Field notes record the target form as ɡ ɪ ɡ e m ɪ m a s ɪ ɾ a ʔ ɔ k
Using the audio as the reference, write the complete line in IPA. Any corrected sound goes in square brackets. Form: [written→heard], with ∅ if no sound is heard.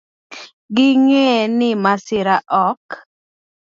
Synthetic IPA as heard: ɡ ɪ [ɡ→ŋ] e [m→n] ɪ m a s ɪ ɾ a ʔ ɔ k